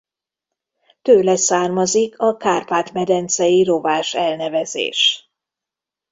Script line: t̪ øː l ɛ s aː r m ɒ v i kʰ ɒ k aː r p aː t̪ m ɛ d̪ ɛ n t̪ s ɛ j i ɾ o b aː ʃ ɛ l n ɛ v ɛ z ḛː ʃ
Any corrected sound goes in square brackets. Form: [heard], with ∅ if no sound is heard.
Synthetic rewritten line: t̪ øː l ɛ s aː r m ɒ [z] i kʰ ɒ k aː r p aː t̪ m ɛ d̪ ɛ n t̪ s ɛ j i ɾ o [v] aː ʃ ɛ l n ɛ v ɛ z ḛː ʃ